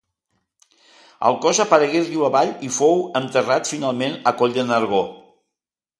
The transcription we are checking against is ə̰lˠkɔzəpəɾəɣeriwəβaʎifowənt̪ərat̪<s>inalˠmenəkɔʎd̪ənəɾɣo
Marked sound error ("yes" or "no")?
yes